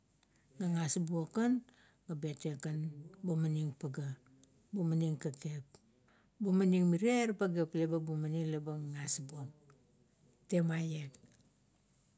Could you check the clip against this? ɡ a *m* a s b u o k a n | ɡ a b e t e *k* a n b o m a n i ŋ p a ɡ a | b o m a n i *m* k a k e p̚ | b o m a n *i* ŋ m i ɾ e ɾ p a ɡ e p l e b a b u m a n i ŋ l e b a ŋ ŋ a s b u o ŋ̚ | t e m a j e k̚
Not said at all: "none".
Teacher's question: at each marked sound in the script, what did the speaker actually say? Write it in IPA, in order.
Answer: ŋ, k, ŋ, i

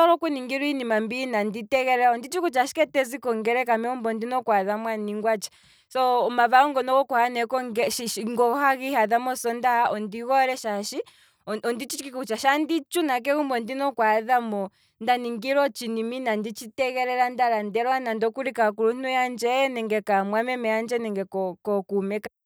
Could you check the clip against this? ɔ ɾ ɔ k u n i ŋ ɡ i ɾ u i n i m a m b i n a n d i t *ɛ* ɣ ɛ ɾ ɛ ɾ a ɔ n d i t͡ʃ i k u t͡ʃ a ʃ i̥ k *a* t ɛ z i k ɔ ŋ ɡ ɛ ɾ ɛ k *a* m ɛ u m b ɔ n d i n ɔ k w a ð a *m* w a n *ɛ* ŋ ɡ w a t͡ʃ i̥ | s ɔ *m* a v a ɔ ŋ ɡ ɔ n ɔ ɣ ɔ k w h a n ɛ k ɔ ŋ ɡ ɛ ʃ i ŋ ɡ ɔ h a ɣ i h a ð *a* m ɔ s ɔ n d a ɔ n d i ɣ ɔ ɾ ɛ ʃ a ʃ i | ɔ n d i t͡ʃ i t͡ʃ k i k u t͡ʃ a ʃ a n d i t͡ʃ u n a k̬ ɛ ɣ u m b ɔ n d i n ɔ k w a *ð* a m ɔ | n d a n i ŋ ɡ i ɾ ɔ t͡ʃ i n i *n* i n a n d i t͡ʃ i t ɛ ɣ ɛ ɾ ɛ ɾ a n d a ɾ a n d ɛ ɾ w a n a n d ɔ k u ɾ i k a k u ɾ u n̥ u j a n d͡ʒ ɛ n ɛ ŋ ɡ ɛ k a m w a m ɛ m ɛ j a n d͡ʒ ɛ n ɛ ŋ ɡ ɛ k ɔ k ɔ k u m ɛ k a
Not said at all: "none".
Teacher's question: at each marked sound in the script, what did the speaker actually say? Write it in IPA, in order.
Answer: ɛ, ɛ, a, m, i, m, a, ð, m

